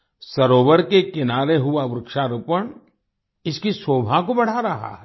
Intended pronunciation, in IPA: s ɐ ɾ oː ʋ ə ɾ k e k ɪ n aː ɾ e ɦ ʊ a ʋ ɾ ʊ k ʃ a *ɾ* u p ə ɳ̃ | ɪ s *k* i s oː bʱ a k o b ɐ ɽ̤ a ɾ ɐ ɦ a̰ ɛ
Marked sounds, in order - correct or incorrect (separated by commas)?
correct, correct